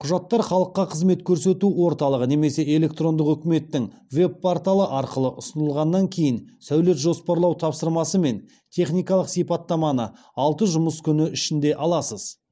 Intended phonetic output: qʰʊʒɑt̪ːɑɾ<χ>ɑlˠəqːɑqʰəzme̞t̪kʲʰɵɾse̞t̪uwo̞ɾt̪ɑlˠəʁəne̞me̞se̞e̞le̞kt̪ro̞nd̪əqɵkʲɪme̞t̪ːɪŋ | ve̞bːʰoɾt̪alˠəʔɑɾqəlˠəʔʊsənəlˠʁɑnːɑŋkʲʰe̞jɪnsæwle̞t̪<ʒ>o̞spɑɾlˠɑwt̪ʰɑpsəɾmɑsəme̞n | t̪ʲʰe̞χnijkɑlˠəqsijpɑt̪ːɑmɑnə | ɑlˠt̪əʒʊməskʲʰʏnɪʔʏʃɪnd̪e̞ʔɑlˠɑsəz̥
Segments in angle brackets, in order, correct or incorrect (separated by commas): correct, correct